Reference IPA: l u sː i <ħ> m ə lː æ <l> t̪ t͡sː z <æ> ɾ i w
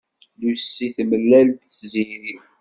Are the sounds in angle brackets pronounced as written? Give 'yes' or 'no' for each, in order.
no, yes, no

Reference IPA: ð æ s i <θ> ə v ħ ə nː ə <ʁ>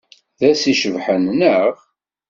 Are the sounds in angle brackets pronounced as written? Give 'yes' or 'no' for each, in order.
no, yes

